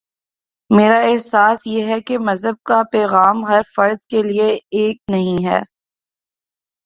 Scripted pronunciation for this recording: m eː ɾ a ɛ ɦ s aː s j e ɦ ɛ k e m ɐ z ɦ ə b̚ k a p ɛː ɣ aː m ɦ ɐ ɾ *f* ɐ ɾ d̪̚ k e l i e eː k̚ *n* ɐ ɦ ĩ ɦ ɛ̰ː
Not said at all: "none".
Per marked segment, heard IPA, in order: f, n

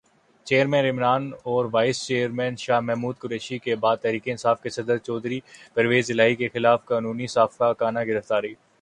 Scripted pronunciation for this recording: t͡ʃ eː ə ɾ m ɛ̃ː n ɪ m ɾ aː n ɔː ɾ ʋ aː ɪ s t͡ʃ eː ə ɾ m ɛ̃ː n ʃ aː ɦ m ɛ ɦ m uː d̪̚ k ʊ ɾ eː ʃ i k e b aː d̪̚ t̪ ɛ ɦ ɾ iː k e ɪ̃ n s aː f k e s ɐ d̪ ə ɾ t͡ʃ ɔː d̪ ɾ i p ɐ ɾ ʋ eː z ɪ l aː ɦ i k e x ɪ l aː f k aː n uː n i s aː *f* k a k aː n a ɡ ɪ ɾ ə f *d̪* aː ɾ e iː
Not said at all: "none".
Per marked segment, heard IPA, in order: f, t̪

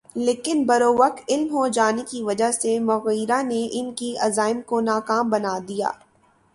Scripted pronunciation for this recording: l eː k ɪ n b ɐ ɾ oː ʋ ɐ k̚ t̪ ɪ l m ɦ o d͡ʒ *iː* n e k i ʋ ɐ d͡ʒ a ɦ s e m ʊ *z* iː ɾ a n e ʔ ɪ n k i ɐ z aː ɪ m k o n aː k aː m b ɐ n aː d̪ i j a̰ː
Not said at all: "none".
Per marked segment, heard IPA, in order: aː, ɣ

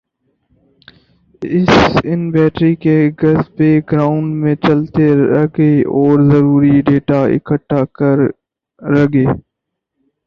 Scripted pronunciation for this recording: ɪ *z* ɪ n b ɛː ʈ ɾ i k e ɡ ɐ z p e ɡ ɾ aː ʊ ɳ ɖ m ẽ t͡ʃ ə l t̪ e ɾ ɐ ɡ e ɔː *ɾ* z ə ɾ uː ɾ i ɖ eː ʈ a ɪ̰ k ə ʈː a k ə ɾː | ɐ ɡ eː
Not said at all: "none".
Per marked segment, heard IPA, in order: s, ɾ

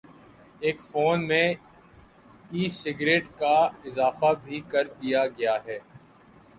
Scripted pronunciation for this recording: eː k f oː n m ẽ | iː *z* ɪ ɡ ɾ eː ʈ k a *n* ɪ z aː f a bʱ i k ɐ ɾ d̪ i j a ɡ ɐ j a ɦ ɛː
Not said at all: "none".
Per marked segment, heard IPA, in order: s, none

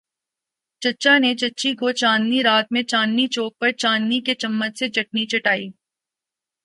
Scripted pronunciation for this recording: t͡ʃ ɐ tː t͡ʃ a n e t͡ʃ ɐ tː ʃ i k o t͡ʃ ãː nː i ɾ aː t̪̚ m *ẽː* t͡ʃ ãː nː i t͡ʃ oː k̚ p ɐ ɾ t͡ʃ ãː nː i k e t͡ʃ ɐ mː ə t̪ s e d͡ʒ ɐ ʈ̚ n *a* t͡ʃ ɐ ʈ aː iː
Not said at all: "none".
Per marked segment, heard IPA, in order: ẽ, i

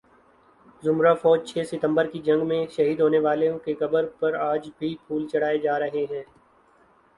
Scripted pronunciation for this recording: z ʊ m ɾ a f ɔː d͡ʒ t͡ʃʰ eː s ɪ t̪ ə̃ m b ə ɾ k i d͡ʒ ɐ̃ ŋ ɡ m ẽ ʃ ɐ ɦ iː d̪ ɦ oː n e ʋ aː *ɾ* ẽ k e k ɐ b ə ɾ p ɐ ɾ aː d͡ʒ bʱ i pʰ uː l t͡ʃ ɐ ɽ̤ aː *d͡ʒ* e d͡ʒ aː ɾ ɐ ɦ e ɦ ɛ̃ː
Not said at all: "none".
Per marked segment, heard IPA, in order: l, none

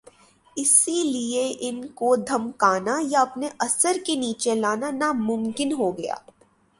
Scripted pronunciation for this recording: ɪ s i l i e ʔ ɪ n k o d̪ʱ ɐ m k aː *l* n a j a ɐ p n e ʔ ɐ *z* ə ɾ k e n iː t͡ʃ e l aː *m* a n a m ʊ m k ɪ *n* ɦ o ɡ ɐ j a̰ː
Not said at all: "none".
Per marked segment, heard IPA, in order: none, s, n, n

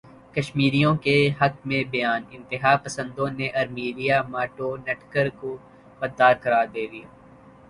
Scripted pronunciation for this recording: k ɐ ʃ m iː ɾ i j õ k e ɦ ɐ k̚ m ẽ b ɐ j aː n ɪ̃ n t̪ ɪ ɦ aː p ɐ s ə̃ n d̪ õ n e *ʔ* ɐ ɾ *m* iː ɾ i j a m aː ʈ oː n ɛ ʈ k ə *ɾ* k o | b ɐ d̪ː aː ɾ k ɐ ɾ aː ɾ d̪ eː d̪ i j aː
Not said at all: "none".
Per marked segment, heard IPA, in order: ʔ, m, ɾ

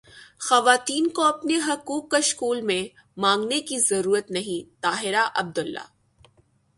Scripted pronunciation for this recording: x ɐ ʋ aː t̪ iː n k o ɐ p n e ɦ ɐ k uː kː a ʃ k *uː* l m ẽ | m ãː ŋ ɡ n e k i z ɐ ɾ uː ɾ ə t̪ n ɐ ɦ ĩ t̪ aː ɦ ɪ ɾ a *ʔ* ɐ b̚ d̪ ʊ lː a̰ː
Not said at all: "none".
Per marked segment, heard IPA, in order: uː, ʔ

